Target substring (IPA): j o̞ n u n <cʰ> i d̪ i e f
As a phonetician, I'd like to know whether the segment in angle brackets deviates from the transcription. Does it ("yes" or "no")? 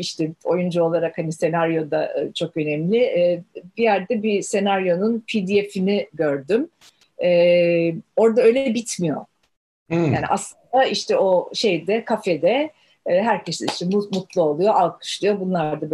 yes